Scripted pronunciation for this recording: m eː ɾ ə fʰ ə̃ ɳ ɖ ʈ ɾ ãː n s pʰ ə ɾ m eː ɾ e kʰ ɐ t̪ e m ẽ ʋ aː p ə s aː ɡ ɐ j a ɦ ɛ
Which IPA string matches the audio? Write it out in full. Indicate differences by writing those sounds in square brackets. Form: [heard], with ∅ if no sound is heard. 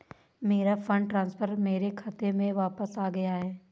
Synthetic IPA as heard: m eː ɾ [a] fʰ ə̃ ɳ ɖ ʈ ɾ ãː n s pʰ ə ɾ m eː ɾ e kʰ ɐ t̪ e m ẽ ʋ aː p ə s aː ɡ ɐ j a ɦ [ɛː]